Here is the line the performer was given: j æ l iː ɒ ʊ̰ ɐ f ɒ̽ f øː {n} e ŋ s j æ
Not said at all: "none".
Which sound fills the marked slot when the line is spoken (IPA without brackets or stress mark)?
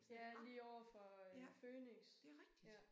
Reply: n